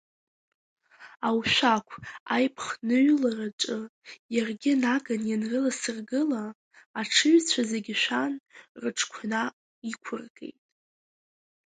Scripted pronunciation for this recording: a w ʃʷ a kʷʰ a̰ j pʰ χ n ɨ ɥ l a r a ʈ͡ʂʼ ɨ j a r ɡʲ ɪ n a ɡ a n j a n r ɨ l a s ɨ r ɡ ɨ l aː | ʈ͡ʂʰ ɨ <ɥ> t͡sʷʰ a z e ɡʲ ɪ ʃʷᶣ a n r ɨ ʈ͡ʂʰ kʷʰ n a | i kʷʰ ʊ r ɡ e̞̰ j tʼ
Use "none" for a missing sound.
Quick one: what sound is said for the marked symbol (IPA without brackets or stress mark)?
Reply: ɥ